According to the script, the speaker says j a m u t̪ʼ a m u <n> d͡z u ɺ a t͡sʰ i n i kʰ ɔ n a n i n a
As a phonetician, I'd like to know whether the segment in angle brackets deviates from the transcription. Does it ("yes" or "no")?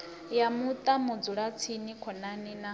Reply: yes